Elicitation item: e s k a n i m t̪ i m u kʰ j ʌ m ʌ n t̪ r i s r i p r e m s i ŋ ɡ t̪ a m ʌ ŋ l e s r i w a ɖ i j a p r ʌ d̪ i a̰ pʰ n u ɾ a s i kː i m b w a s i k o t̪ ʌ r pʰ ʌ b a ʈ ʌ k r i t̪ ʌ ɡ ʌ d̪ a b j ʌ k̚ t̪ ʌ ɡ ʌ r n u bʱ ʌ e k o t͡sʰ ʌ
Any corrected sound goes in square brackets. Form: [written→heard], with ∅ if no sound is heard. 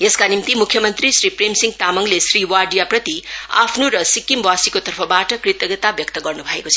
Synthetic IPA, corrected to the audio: e s k a n i m t̪ i m u kʰ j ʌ m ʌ n t̪ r i s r i p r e m s i ŋ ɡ t̪ a m ʌ ŋ l e s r i w a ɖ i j a p r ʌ [d̪→t̪] i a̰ pʰ n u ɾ [a→ʌ] s i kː i m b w a s i k o t̪ ʌ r pʰ ʌ b a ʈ ʌ k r i t̪ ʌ ɡ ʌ [d̪→t̪] a b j ʌ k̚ t̪ ʌ ɡ ʌ r n u bʱ ʌ e k o t͡sʰ ʌ